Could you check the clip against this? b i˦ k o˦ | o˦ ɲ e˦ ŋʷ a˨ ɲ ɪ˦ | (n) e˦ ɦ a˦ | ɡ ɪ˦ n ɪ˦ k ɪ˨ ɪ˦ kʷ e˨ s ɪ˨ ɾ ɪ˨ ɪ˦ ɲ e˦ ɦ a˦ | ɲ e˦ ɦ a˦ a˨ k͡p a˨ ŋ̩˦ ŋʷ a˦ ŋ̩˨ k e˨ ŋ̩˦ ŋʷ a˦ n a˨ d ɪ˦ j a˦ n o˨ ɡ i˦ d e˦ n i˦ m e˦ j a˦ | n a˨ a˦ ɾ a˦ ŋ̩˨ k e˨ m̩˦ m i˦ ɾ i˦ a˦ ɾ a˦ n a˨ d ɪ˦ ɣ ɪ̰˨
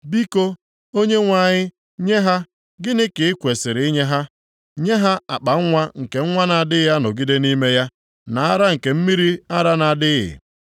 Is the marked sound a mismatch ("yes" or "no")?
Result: yes